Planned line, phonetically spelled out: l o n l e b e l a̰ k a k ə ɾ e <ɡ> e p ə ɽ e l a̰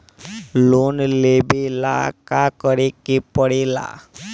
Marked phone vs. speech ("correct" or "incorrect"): incorrect